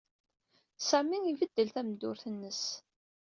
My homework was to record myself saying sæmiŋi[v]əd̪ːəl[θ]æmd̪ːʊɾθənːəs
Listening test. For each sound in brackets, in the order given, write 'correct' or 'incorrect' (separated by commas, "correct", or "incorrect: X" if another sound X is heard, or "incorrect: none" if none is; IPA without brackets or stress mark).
correct, correct